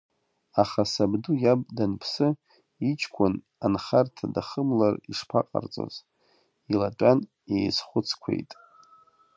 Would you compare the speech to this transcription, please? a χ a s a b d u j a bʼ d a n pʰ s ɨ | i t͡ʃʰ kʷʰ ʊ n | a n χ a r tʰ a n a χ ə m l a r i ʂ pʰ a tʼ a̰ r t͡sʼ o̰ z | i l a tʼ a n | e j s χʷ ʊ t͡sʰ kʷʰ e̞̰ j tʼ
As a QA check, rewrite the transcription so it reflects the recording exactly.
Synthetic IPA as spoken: a χ a s a b d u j a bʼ d a n pʰ s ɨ | i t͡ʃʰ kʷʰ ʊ n | a n χ a r tʰ a d a χ ə m l a r i ʂ pʰ a qʼ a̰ r t͡sʼ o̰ z | i l a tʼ a n | e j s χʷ ʊ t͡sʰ kʷʰ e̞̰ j tʼ